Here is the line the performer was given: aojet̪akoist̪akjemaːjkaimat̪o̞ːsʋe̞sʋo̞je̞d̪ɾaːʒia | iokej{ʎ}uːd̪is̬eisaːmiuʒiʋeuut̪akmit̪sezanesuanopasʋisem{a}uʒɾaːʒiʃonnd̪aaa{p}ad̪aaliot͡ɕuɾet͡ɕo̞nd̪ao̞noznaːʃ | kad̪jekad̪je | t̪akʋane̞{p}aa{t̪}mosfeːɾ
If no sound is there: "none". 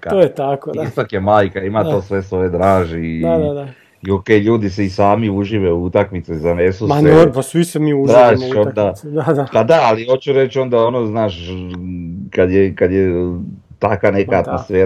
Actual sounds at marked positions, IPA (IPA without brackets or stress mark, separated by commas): ʎ, i, p, k, t̪